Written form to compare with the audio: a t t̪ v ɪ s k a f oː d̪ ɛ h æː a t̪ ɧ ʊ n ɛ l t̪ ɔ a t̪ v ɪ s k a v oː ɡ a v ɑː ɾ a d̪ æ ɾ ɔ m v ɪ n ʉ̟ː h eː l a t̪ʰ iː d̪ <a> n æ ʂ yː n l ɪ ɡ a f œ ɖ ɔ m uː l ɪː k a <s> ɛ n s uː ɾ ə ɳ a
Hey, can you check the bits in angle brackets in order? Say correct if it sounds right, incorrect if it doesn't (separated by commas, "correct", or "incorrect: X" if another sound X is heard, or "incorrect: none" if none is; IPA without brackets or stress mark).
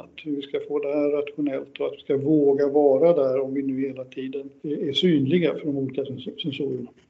incorrect: ə, correct